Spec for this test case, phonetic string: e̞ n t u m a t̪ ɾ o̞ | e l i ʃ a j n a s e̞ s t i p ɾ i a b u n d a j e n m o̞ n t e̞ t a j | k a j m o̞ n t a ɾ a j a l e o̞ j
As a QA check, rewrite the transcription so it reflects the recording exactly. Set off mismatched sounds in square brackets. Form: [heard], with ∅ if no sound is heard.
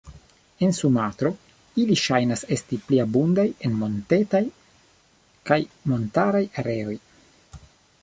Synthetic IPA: e̞ n [s] u m a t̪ ɾ o̞ | [i] l i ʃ a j n a s e̞ s t i p [l] i a b u n d a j e n m o̞ n t e̞ t a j | k a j m o̞ n t a ɾ a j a [ɾ] e o̞ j

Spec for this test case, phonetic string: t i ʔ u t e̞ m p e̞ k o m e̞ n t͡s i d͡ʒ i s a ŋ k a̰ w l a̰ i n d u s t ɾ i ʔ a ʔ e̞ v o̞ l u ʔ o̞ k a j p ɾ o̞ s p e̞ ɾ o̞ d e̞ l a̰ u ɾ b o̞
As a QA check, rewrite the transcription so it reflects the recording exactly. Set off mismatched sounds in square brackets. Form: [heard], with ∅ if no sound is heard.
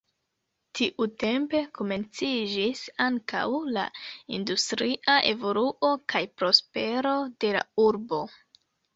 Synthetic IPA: t i ʔ u t e̞ m p e̞ k o m e̞ n t͡s i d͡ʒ i s a ŋ k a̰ w l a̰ i n d u s t ɾ i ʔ a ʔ e̞ v o̞ l u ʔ o̞ k a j p ɾ o̞ s p e̞ ɾ o̞ d e̞ l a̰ u ɾ b o̞

